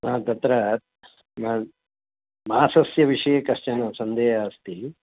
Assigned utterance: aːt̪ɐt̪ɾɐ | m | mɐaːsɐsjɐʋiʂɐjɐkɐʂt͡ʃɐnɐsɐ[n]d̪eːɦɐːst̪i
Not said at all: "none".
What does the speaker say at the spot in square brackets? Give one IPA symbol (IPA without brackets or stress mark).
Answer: n